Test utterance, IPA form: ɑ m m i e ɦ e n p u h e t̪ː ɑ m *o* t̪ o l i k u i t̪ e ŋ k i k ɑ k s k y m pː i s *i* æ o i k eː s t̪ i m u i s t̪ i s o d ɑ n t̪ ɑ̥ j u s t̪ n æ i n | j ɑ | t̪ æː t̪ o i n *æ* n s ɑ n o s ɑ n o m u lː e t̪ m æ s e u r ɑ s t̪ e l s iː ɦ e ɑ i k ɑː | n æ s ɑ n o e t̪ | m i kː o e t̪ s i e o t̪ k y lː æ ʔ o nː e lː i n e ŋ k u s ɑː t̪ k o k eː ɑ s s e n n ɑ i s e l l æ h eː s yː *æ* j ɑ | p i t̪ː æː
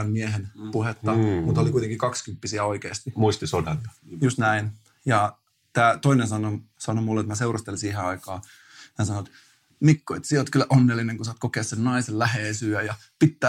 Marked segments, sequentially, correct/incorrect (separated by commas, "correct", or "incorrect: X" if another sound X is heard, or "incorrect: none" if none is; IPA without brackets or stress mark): incorrect: u, correct, incorrect: e, correct